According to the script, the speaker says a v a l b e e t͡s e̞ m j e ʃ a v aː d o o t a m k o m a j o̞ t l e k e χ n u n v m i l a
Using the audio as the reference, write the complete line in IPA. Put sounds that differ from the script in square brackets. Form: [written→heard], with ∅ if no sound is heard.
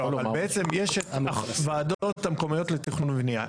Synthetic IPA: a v a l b e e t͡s e̞ m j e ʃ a v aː d o o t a m k o m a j o̞ t l e [k→t] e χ n u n v [m→n] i [l→∅] a

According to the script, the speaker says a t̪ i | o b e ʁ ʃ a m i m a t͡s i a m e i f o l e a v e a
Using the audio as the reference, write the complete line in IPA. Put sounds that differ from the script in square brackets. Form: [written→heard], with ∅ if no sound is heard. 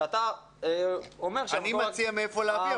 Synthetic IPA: a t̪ [i→a] | o [b→m] e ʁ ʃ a [m→n] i m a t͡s i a m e [i→e] f o l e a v [e→i] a

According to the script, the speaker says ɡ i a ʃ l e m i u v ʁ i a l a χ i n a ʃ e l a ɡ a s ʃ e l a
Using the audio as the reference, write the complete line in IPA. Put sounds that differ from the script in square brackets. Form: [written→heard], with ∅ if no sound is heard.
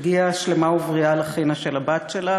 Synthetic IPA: ɡ i a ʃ l e m [i→a] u v ʁ i a l a χ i n a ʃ e l a [ɡ→b] a [s→t] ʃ e l a

